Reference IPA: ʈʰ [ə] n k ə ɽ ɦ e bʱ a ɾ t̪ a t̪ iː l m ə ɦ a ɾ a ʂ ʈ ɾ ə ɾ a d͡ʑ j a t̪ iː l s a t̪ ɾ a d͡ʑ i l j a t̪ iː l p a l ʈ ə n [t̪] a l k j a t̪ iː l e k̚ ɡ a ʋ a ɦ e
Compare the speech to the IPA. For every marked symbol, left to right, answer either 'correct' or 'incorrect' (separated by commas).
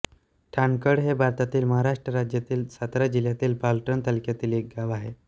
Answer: incorrect, correct